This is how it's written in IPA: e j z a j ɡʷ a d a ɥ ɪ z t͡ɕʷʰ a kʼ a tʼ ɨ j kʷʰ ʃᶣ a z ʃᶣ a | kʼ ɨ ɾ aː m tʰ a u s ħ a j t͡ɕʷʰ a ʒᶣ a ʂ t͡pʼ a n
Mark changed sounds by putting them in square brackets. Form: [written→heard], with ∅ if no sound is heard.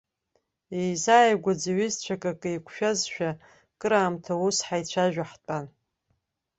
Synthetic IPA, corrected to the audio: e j z a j ɡʷ a [d→d͡z] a ɥ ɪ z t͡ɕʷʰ a kʼ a [tʼ→kʼ] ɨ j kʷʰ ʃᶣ a z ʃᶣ a | kʼ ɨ ɾ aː m tʰ a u s ħ a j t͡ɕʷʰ a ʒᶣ a [ʂ→ħ] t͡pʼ a n